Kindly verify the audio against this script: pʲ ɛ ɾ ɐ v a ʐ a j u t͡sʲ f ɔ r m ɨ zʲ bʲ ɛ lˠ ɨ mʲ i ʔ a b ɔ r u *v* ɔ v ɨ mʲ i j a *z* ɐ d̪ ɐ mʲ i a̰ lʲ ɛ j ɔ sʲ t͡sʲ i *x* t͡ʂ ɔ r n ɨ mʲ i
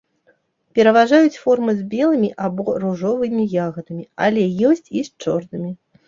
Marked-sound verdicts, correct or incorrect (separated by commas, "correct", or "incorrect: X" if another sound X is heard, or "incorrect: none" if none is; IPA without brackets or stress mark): incorrect: ʐ, incorrect: ɣ, incorrect: s